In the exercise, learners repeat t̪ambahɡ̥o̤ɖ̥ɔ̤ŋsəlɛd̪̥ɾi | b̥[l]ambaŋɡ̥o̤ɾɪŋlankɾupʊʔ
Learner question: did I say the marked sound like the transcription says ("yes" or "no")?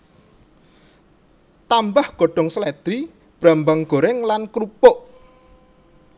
no